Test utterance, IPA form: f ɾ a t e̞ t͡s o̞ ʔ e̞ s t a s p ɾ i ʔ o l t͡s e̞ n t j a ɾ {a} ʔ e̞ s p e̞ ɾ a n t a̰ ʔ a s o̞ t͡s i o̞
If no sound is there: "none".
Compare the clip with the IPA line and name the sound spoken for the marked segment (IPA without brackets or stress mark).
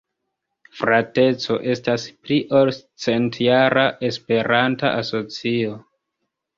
a